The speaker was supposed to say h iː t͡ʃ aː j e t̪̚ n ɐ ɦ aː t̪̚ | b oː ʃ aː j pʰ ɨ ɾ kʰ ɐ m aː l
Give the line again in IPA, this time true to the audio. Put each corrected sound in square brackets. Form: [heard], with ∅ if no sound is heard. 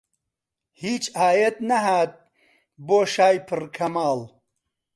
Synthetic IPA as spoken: h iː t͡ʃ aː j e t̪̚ n ɐ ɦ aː t̪̚ | b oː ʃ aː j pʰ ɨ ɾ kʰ ɐ m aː l